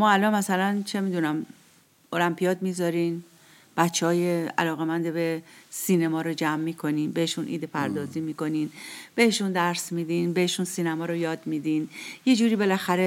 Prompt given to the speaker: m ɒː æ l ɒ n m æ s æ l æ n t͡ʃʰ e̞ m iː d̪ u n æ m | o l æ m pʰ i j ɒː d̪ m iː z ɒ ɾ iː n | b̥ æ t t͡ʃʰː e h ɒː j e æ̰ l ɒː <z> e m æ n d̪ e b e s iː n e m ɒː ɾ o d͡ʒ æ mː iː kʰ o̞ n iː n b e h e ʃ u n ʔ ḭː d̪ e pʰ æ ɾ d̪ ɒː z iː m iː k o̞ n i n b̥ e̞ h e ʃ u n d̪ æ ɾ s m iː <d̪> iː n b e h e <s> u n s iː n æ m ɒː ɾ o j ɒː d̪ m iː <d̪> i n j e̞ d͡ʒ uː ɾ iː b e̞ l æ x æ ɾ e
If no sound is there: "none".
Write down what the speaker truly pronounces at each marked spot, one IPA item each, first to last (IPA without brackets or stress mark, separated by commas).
ɣ, d̪, ʃ, d̪